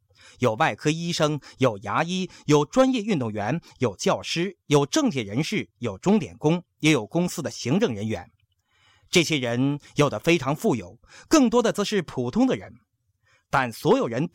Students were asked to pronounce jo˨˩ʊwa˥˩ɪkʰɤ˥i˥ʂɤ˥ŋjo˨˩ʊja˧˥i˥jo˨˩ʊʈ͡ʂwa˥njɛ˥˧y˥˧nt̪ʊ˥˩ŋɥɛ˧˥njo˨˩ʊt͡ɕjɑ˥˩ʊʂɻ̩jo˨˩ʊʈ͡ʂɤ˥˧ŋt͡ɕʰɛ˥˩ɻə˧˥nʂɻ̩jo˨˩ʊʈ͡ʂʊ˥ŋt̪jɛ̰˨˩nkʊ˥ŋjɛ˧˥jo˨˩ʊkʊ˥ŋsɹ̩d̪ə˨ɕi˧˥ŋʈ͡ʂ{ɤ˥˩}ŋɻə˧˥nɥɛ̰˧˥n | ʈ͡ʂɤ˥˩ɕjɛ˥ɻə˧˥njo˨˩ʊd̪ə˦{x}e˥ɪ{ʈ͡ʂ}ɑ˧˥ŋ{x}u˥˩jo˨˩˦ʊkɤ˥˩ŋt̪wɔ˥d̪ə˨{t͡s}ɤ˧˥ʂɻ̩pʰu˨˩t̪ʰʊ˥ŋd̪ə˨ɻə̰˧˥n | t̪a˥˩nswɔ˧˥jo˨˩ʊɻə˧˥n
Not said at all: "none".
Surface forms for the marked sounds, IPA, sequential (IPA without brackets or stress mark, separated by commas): ɤ˥˩, f, ʈ͡ʂʰ, f, t͡s